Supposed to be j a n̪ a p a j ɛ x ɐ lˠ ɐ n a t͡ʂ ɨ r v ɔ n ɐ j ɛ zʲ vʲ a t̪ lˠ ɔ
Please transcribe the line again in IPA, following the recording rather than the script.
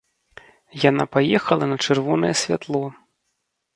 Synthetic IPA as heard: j a n̪ a p a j ɛ x ɐ lˠ ɐ n ɐ t͡ʂ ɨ r v ɔ n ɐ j ɛ sʲ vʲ a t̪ lˠ ɔ